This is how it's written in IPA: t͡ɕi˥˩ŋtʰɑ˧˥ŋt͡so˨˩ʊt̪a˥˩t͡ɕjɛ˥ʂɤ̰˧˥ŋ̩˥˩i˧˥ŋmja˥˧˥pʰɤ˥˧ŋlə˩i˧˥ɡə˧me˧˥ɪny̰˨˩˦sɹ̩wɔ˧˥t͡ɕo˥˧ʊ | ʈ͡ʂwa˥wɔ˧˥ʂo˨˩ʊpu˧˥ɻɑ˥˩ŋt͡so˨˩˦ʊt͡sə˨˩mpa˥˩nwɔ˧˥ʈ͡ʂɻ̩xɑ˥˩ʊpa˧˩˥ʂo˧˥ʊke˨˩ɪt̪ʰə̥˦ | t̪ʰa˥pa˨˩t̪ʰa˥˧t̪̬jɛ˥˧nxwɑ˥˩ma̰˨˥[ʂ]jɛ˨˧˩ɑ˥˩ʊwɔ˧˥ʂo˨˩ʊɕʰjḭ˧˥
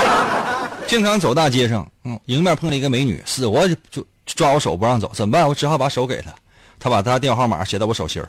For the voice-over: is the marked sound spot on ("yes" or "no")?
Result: no